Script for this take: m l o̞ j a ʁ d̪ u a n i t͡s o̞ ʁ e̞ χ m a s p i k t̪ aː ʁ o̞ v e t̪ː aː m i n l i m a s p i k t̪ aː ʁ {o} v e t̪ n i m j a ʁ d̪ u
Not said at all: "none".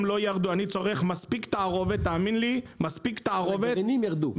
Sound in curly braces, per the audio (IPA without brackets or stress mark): o